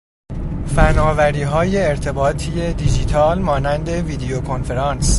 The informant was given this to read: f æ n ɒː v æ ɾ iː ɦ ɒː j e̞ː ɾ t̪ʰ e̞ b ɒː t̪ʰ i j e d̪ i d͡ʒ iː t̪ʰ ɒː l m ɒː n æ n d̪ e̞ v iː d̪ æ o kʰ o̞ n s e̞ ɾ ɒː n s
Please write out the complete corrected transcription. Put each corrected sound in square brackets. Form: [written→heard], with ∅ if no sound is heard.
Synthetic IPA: f æ n ɒː v æ ɾ iː ɦ ɒː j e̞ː ɾ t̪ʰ e̞ b ɒː t̪ʰ i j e d̪ i d͡ʒ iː t̪ʰ ɒː l m ɒː n æ n d̪ e̞ v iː d̪ [æ→e] o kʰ o̞ n [s→f] e̞ ɾ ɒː n s

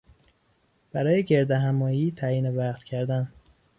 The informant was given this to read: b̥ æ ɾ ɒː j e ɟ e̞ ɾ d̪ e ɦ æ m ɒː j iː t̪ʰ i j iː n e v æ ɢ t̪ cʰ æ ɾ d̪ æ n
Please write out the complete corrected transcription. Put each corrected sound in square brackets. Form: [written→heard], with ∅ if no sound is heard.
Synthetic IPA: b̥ æ ɾ ɒː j e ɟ e̞ ɾ d̪ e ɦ æ m ɒː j iː t̪ʰ [i→æ] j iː n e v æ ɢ t̪ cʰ æ ɾ d̪ æ n

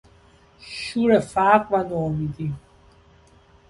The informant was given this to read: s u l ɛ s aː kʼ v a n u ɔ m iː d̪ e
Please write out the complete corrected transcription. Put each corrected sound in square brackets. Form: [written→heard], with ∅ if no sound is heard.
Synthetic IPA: [s→ʃ] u [l→ɾ] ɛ [s→f] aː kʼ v a n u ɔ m [iː→i] d̪ [e→i]

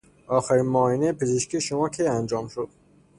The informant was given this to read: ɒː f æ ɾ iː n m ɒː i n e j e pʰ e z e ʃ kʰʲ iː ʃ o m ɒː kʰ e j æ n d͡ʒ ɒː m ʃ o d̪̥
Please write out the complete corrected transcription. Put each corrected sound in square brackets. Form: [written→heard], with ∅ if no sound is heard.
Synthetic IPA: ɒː [f→x] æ ɾ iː n m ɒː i n e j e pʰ e z e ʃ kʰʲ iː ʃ o m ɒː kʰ e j æ n d͡ʒ ɒː m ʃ o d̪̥

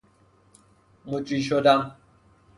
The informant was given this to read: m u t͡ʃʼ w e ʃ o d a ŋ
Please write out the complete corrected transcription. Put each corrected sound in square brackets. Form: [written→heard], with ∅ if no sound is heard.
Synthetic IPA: m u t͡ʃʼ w [e→i] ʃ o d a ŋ

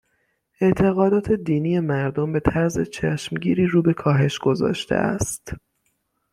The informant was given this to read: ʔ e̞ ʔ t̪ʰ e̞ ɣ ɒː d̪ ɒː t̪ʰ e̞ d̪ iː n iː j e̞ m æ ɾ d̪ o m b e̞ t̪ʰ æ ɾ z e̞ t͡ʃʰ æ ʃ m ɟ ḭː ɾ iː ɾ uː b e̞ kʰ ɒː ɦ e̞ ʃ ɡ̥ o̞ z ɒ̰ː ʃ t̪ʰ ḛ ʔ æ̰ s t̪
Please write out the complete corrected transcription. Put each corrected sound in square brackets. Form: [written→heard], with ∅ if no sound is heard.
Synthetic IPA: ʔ e̞ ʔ t̪ʰ e̞ ɣ ɒː d̪ ɒː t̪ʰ e̞ d̪ iː n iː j e̞ m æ ɾ d̪ o m b e̞ t̪ʰ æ ɾ z e̞ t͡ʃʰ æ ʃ m ɟ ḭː ɾ iː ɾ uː b e̞ kʰ ɒː ɦ e̞ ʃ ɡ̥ o̞ z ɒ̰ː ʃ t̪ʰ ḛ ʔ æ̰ s t̪

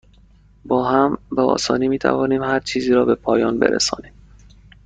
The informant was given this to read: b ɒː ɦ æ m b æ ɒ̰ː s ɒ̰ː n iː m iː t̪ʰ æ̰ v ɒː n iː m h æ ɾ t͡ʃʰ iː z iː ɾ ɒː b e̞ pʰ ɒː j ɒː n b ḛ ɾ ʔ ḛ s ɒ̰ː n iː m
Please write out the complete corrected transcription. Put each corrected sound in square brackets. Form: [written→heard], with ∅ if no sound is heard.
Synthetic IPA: b ɒː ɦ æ m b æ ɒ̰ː s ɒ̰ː n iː m iː t̪ʰ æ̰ v ɒː n iː m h æ ɾ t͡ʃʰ iː z iː ɾ ɒː b e̞ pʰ ɒː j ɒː n b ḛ ɾ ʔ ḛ s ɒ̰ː n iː m

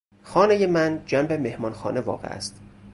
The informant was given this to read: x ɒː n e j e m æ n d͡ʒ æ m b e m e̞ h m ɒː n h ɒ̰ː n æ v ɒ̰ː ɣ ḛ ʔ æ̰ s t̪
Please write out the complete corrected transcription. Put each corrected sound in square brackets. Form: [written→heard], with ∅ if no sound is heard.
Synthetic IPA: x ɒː n e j e m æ n d͡ʒ æ m b e m e̞ h m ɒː n [h→x] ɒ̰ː n [æ→e] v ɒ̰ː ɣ ḛ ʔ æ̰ s t̪

